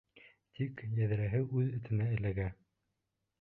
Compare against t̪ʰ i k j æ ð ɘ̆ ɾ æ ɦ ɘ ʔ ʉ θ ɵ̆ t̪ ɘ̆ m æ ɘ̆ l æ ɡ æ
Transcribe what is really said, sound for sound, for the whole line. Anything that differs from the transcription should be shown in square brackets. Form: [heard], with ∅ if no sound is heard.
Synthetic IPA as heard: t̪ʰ i k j æ ð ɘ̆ ɾ æ ɦ ɘ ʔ ʉ [ð] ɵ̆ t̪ ɘ̆ [n] æ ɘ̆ l æ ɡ æ